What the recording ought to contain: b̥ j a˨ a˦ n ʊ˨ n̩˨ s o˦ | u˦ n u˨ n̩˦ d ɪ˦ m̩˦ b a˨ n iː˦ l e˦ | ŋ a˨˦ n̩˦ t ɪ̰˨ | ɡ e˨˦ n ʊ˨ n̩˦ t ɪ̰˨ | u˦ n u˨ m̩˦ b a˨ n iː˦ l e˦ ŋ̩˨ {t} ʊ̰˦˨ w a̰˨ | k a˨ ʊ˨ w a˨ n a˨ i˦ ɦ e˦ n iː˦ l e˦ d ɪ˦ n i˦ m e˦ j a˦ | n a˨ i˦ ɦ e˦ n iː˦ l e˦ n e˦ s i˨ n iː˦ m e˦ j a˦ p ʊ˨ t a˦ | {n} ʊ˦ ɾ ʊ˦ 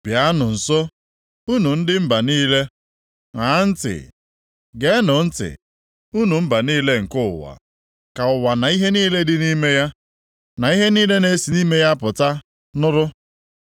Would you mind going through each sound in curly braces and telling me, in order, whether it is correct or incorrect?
incorrect: k, correct

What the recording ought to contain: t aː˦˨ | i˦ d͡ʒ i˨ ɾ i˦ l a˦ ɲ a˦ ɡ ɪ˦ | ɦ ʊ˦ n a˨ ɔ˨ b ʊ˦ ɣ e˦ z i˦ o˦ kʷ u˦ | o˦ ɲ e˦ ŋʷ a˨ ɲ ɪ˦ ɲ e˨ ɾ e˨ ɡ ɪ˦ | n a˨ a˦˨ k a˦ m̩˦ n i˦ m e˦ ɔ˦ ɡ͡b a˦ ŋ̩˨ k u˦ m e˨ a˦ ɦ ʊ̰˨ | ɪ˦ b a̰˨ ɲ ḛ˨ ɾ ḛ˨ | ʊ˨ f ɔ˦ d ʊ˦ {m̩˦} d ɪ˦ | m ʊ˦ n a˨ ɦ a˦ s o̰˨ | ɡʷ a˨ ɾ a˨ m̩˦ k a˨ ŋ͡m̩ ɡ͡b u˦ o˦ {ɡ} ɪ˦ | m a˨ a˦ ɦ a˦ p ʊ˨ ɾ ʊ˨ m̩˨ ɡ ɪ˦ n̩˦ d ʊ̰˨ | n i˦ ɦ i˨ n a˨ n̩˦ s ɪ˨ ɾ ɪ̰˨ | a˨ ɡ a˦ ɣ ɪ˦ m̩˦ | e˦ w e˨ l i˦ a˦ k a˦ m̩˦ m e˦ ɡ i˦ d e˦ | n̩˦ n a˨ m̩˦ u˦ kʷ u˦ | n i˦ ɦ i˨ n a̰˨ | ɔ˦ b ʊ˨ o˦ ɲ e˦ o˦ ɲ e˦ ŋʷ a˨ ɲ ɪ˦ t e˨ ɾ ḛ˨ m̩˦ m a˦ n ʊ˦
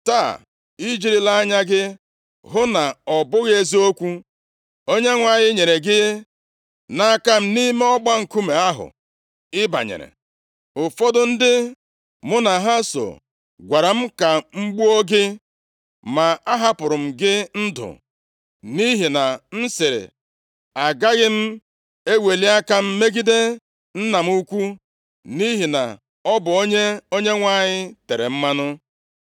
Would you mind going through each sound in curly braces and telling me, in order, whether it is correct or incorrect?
incorrect: n̩˦, correct

